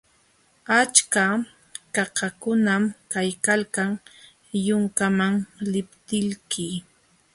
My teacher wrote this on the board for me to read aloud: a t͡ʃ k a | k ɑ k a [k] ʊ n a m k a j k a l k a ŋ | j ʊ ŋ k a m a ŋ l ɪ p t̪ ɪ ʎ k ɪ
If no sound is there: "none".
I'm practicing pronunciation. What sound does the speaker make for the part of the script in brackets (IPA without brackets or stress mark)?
k